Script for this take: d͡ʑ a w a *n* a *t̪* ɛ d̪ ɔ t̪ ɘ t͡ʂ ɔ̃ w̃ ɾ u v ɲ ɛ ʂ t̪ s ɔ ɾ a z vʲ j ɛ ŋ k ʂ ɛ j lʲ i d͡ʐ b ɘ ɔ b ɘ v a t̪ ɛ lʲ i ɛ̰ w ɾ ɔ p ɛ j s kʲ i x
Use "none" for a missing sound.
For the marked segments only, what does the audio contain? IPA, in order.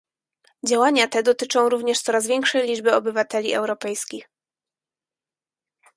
ɲ, t̪

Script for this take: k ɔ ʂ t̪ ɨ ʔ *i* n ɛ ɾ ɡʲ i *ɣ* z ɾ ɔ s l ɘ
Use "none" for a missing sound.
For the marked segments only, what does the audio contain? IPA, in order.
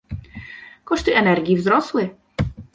ɛ, v

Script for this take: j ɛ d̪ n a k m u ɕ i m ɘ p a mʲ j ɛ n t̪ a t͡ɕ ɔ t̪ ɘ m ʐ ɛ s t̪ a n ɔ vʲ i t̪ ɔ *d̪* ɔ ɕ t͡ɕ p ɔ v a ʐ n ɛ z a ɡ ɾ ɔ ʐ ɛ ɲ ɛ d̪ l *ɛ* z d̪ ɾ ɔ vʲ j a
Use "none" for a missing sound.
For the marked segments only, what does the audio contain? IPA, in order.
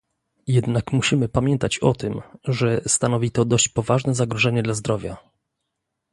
d̪, a

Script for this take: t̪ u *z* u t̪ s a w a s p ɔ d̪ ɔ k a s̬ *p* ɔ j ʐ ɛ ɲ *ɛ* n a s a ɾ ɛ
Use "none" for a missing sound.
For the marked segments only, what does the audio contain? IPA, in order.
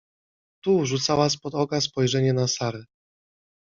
ʐ, p, ɛ

